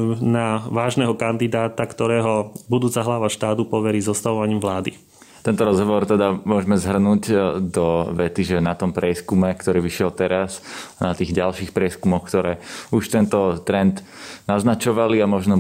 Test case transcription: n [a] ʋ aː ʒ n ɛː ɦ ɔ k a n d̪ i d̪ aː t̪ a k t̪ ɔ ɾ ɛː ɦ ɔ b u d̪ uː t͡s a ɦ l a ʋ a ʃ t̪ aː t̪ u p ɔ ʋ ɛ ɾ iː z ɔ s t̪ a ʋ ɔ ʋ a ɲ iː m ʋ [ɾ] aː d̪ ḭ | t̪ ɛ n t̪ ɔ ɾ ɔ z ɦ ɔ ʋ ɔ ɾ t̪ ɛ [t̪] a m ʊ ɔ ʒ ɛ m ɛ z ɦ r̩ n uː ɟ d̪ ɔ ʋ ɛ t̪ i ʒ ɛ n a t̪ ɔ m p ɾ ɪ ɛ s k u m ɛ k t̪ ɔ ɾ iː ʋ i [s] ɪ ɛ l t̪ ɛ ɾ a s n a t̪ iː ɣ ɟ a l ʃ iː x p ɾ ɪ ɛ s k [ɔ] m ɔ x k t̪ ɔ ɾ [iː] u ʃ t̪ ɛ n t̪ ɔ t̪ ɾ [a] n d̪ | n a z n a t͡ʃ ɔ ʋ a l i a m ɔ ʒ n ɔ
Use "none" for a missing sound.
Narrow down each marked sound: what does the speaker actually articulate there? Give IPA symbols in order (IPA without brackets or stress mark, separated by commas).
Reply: a, l, d̪, ʃ, u, ɛː, ɛ